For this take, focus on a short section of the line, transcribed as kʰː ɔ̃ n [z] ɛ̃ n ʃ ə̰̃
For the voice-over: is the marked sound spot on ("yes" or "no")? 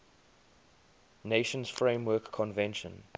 no